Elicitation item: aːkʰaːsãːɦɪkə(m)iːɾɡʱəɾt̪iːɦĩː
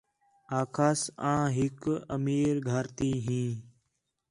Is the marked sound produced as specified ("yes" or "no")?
yes